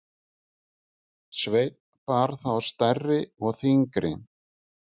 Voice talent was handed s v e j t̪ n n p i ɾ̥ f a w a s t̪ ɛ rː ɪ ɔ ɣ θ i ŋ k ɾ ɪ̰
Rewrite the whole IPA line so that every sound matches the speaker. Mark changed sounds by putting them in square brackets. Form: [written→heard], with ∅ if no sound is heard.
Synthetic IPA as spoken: s v e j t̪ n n p [i→a] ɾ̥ [f→θ] a w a s t̪ ɛ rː ɪ ɔ ɣ θ i ŋ k ɾ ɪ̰